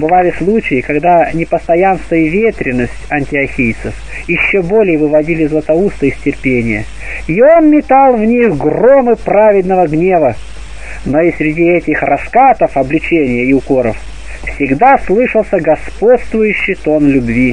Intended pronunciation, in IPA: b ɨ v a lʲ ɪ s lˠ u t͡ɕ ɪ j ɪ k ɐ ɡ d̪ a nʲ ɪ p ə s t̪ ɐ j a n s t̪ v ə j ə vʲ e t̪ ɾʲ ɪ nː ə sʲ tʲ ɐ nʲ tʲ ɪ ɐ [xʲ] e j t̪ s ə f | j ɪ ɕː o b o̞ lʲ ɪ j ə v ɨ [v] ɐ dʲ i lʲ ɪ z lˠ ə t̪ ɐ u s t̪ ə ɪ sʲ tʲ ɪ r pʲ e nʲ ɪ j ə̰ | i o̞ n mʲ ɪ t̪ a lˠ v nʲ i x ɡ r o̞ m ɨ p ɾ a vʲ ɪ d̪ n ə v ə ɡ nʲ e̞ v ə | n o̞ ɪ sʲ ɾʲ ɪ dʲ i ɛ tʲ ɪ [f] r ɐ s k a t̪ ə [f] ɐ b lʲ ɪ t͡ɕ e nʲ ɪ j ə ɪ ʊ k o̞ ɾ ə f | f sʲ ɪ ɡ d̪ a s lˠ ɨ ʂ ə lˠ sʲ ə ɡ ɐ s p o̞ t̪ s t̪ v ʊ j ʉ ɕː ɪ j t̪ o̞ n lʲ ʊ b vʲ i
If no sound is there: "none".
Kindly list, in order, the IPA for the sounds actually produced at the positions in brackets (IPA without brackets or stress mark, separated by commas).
xʲ, v, x, f